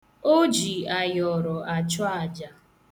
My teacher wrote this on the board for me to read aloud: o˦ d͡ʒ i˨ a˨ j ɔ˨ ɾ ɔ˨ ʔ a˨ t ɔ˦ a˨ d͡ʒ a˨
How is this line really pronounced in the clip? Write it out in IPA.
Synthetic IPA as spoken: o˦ d͡ʒ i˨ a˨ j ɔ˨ ɾ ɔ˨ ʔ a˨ t͡ʃ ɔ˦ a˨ d͡ʒ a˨